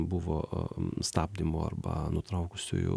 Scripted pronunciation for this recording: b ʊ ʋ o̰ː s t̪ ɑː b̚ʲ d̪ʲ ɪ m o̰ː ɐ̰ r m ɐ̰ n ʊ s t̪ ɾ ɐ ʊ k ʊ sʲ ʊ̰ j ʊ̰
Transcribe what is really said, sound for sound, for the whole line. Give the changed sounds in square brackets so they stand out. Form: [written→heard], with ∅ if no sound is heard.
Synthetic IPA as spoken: b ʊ ʋ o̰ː s t̪ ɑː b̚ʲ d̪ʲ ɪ m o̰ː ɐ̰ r [m→b] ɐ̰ n ʊ [s→∅] t̪ ɾ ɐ ʊ k ʊ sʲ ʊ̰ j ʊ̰